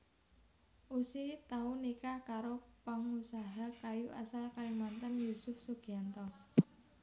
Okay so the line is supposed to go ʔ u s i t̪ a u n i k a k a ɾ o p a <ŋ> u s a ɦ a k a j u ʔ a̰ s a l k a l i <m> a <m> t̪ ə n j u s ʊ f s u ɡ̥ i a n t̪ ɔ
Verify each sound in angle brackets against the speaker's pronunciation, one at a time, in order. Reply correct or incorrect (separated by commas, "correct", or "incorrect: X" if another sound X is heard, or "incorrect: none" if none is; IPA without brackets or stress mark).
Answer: correct, correct, incorrect: n